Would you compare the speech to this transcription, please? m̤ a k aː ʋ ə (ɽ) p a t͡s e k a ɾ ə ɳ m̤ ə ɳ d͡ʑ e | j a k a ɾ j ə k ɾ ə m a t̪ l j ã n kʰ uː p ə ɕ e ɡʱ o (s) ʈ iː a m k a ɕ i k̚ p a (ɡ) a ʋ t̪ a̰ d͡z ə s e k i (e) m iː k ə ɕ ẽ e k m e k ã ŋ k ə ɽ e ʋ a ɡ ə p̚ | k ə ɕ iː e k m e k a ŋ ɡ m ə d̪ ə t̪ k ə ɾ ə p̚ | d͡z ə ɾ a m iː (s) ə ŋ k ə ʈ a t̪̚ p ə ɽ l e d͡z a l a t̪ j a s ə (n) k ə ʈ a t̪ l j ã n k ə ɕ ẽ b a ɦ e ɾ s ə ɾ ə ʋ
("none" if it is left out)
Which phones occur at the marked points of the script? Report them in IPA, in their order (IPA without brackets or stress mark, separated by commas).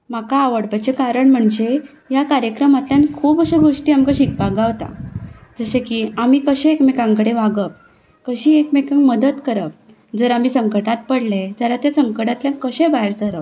ɽ, ʂ, ɡ, a, s, ŋ